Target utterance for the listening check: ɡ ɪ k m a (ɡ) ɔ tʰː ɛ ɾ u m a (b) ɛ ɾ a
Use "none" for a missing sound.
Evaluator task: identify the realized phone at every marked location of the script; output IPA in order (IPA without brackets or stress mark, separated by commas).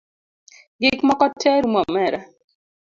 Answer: k, m